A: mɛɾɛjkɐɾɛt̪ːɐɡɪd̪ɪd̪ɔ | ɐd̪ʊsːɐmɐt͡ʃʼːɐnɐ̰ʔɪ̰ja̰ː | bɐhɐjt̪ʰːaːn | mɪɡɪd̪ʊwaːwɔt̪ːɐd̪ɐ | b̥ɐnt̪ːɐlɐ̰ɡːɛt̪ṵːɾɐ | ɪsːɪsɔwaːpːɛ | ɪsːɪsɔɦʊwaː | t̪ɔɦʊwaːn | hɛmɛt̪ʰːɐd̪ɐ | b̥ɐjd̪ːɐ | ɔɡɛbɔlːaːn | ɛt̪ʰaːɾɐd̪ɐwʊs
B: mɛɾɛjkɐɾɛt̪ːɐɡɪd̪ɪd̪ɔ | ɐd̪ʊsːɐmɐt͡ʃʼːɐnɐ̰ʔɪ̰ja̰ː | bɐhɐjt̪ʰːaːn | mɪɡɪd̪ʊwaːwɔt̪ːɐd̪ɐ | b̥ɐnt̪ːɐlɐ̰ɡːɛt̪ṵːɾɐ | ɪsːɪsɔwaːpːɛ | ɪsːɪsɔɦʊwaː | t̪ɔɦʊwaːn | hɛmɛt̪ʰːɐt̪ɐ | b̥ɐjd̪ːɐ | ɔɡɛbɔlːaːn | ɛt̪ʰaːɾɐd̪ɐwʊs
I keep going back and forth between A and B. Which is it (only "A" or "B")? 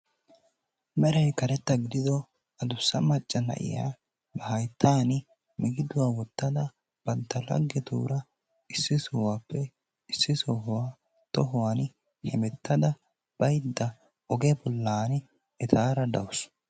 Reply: A